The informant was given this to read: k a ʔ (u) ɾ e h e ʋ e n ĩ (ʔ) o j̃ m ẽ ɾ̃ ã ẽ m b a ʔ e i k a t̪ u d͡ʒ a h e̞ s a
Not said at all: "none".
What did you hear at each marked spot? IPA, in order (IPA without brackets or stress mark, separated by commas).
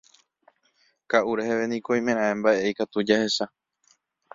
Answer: u, k